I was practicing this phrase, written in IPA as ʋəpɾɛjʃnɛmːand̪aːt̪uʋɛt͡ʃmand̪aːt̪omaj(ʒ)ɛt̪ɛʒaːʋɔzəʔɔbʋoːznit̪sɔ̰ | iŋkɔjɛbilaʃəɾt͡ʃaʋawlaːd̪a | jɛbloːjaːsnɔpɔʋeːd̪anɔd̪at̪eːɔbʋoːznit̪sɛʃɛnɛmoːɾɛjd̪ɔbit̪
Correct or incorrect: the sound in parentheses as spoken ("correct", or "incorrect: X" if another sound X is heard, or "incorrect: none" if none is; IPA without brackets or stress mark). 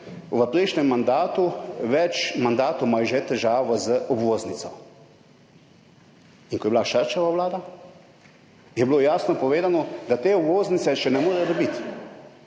correct